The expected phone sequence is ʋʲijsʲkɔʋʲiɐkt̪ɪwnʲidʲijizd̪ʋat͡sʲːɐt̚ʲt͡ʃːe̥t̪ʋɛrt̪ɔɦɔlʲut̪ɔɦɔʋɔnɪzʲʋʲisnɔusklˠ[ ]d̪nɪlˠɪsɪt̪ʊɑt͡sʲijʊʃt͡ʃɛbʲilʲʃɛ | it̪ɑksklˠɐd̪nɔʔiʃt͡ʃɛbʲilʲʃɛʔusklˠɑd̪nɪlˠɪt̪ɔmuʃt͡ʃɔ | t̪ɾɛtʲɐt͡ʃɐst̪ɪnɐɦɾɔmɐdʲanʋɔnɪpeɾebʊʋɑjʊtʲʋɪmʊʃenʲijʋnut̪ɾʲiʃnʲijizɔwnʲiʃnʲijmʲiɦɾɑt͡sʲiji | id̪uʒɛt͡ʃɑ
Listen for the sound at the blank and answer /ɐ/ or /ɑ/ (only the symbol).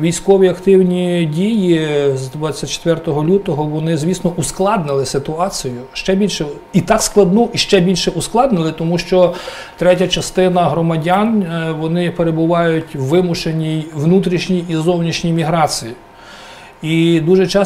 ɑ